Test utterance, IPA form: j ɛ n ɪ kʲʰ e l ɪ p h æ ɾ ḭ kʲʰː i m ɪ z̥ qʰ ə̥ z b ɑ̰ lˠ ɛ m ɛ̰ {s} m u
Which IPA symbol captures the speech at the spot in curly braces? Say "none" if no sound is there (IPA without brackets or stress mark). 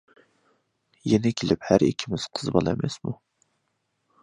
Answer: s